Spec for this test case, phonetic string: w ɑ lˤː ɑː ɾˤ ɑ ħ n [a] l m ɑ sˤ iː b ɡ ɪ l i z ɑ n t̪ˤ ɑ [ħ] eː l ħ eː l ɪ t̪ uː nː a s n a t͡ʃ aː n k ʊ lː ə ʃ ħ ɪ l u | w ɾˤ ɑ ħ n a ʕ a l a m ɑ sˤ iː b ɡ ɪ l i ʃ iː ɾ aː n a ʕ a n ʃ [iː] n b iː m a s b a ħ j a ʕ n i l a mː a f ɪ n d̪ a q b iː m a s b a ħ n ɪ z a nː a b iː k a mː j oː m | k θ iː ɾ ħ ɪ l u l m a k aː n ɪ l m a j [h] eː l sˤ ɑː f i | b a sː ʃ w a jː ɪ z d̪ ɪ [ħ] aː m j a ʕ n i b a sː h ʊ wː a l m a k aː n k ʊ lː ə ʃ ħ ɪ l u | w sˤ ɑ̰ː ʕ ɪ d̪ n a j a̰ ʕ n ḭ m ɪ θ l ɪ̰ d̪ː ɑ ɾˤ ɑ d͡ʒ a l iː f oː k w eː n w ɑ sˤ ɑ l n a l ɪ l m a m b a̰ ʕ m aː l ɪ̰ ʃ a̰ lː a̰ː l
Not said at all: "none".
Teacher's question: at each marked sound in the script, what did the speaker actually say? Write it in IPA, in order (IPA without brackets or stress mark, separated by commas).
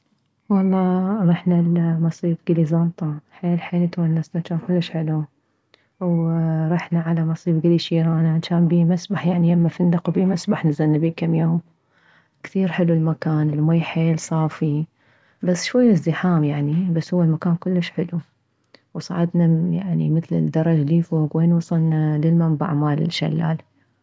a, ħ, aː, ħ, ħ